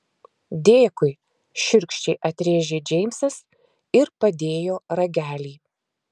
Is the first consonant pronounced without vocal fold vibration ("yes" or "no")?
no